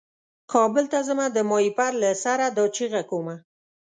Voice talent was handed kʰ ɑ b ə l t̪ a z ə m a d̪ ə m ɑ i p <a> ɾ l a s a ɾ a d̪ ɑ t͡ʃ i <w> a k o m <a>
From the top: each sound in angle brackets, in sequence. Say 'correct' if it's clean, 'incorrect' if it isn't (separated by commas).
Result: correct, incorrect, correct